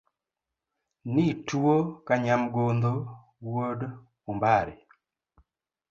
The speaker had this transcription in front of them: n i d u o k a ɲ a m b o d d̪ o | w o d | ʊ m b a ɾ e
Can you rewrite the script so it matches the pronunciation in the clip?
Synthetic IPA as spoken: n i t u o k a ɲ a m ɡ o n d̪ o | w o d | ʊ m b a ɾ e